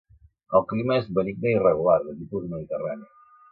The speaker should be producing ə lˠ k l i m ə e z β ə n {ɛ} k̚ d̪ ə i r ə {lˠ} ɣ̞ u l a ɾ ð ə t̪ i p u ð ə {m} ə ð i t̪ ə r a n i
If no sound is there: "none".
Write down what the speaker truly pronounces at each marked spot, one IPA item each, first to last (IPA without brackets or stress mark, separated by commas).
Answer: i, none, m